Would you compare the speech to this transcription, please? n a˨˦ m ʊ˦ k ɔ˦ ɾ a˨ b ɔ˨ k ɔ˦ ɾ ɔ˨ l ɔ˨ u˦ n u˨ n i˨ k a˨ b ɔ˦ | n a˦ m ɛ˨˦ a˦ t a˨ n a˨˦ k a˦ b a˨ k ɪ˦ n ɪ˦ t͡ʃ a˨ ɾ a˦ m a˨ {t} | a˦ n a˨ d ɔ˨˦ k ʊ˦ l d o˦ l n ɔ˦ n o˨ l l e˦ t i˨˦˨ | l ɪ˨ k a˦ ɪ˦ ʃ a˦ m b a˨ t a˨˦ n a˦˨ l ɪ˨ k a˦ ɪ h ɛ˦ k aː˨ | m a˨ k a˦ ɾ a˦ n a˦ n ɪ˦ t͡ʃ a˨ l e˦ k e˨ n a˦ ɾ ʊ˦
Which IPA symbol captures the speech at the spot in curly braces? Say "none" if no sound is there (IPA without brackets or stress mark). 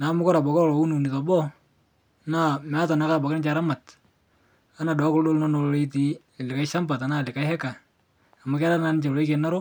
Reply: t